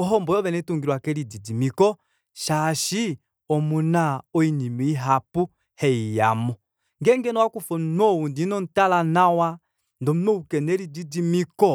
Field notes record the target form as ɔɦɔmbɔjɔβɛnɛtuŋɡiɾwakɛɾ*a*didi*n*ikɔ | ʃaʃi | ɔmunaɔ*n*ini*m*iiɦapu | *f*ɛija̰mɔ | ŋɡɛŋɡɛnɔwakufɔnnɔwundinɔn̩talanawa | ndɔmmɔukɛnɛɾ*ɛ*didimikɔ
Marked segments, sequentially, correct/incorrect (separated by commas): incorrect, incorrect, incorrect, correct, incorrect, incorrect